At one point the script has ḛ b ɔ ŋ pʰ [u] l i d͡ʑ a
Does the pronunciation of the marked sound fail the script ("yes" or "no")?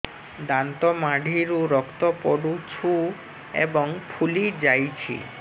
no